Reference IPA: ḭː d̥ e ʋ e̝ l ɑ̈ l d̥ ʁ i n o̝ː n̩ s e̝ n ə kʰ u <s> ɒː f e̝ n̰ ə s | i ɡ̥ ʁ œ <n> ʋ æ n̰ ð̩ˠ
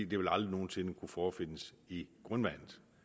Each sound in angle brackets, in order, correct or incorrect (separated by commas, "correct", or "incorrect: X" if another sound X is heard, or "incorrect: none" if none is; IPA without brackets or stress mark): incorrect: f, correct